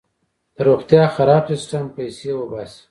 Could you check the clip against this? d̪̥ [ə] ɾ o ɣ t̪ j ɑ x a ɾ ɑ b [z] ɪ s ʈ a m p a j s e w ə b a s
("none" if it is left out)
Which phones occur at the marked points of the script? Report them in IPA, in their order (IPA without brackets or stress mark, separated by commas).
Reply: ə, s